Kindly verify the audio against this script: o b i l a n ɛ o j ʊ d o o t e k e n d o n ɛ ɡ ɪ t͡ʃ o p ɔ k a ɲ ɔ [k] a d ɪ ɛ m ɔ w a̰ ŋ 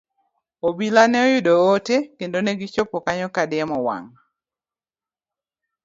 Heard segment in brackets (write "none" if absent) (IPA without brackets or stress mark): k